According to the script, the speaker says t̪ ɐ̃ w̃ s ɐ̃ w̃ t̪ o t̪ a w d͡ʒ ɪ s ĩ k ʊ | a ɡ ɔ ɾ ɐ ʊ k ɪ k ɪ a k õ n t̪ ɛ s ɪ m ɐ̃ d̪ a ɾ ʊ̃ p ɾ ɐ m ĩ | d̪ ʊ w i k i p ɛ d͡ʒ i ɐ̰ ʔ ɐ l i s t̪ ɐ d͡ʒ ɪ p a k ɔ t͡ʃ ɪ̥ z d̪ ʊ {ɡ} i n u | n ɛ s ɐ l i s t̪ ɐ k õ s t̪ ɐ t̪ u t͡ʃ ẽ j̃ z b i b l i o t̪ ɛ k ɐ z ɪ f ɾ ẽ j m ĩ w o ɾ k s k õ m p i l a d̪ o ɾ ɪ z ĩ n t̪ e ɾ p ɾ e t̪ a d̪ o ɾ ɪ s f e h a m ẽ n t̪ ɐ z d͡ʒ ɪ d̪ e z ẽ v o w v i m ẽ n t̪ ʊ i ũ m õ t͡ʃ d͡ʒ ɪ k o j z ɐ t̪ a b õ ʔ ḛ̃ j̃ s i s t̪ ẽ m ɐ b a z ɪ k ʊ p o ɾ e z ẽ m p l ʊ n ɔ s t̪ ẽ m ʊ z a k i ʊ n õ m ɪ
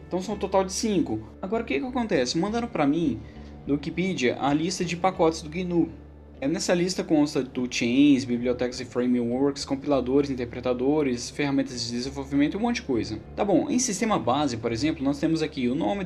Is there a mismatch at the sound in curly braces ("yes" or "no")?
no